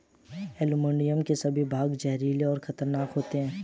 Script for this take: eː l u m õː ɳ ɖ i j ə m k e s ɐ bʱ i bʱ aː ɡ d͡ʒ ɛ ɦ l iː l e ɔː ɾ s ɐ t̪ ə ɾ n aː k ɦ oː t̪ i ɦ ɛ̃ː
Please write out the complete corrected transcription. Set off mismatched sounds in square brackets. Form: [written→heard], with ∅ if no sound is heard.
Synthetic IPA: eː l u m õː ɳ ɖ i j ə m k e s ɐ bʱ i bʱ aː ɡ d͡ʒ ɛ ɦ [l→ɾ] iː l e ɔː ɾ [s→x] ɐ t̪ ə ɾ n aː k ɦ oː t̪ [i→e] ɦ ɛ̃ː